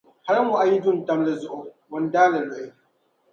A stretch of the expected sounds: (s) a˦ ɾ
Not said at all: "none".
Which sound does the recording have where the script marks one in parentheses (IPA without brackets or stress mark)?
h